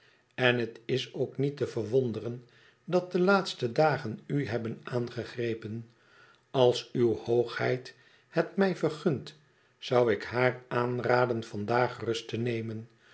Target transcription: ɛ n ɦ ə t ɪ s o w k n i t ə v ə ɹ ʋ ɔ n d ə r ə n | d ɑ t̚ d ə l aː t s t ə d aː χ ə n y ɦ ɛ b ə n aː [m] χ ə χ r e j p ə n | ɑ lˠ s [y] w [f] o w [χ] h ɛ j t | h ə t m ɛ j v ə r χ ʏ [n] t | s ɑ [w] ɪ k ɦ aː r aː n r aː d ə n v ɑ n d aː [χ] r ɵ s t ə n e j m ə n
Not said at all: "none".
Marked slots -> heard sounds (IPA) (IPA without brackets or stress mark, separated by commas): n, y, h, χ, n, w, χ